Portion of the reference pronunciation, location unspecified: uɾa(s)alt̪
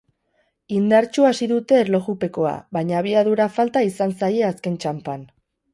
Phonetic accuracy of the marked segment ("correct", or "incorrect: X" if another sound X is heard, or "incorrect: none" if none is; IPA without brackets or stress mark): incorrect: f